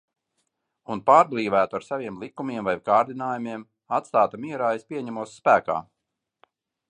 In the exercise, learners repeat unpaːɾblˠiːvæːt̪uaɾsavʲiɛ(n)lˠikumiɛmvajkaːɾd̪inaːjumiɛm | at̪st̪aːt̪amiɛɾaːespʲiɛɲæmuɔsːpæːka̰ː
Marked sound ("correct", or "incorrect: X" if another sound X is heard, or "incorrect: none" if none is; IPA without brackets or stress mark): incorrect: m